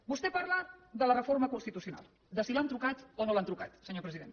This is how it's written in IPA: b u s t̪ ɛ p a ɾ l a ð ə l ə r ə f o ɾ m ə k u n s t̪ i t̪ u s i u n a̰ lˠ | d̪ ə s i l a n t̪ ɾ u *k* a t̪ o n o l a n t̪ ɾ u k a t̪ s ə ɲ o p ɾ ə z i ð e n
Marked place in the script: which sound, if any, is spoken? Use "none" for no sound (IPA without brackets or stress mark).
k